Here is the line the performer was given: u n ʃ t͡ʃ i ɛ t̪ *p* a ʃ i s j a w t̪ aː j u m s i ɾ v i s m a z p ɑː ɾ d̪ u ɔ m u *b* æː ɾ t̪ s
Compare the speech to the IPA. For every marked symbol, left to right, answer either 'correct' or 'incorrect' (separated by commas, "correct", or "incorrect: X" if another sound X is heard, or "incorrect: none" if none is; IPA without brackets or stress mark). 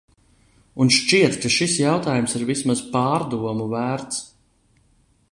incorrect: k, incorrect: v